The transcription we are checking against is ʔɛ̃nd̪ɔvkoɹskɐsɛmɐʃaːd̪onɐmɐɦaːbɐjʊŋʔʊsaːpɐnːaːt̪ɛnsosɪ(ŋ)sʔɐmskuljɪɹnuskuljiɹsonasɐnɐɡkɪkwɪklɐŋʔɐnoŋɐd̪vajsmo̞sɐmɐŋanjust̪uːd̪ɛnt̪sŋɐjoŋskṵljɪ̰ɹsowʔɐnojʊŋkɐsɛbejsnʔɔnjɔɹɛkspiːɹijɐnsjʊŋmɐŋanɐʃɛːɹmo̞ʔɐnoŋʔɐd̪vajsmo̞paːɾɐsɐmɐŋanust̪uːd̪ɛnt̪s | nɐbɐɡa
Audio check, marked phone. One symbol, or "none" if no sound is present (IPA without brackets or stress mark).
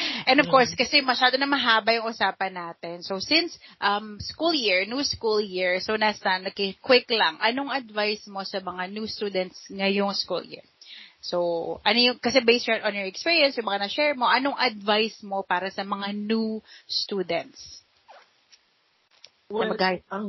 n